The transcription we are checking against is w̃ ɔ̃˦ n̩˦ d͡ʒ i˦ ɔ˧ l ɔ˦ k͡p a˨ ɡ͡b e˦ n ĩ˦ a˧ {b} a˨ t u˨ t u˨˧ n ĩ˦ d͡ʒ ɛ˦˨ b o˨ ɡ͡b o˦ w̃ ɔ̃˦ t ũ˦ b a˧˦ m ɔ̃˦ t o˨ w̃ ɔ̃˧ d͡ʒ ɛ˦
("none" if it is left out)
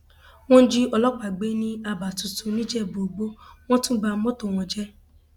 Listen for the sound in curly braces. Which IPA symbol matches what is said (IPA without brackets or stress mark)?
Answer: b